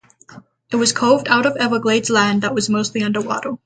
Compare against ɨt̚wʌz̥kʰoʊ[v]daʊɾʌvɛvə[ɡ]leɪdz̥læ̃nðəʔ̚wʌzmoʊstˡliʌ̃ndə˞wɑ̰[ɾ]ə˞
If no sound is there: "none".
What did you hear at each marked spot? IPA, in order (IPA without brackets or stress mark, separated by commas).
v, ɡ, ɾ